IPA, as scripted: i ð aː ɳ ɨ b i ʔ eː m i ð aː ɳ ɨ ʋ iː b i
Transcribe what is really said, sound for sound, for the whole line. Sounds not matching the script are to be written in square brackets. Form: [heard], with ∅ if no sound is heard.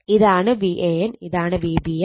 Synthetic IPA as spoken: i ð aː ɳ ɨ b i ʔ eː [n] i ð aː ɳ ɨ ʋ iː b i